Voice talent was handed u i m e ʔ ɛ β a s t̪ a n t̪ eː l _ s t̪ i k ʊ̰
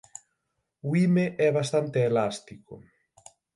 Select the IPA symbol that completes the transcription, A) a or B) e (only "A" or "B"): A